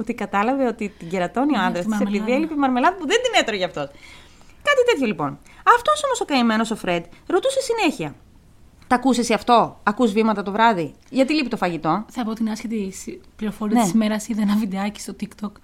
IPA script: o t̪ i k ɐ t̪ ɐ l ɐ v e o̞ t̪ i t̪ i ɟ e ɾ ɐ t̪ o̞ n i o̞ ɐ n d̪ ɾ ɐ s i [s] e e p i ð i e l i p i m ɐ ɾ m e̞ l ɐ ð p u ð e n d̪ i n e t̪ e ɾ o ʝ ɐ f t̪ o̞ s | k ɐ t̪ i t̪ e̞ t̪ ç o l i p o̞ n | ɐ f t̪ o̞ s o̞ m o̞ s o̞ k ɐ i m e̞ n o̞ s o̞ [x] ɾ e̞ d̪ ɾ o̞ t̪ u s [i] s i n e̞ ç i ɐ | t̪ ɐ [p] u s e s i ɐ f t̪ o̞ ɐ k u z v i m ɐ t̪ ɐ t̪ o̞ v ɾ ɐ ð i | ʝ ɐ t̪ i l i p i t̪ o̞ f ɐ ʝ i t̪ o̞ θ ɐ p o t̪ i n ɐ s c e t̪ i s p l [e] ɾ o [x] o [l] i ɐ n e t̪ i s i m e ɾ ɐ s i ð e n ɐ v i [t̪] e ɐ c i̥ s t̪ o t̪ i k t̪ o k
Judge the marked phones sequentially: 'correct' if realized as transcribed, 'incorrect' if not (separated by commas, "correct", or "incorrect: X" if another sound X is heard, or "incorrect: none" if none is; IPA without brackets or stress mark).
correct, incorrect: f, incorrect: e, incorrect: k, incorrect: i, incorrect: f, incorrect: ɾ, incorrect: d̪